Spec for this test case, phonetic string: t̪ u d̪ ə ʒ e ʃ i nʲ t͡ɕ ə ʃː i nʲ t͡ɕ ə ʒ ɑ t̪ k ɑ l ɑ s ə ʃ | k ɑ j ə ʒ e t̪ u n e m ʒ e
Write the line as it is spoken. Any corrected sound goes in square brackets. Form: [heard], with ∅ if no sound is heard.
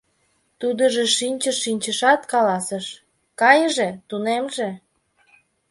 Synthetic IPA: t̪ u d̪ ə ʒ e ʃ i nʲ t͡ɕ ə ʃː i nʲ t͡ɕ ə [ʃ] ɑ t̪ k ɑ l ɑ s ə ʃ | k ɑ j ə ʒ e t̪ u n e m ʒ e